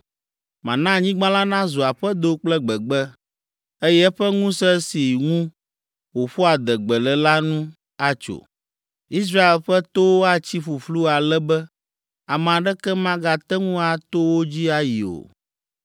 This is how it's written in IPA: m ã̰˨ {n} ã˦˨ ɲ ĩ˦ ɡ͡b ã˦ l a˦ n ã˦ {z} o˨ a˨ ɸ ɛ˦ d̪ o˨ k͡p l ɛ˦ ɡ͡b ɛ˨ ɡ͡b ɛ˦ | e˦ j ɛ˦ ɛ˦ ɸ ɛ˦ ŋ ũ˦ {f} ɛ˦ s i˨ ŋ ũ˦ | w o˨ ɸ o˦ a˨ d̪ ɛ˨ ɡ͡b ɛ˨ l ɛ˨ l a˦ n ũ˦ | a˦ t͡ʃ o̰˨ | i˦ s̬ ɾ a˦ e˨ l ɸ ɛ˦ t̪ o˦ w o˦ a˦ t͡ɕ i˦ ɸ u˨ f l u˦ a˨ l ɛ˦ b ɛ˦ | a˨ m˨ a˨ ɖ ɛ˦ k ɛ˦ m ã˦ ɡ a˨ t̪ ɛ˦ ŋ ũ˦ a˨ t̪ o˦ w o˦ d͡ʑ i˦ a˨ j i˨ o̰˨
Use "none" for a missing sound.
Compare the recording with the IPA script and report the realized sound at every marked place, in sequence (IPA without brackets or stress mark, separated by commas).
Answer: n, z, s